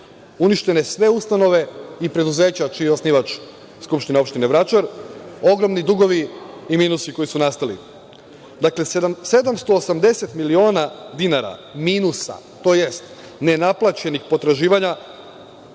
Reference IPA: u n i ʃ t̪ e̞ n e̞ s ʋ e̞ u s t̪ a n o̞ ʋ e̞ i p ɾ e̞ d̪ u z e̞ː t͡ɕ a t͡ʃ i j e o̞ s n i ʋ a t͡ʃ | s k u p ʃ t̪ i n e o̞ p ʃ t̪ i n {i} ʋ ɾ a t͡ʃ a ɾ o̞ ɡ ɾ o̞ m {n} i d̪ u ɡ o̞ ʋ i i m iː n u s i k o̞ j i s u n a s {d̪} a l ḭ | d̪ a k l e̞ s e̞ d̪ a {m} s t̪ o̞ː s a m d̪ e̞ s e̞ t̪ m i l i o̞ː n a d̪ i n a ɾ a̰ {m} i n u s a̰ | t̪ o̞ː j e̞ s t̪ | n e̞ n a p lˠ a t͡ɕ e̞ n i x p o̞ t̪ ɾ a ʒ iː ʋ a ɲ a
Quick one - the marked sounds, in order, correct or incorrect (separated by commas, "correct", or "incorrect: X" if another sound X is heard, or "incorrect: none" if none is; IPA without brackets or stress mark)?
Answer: incorrect: e, correct, incorrect: t̪, correct, correct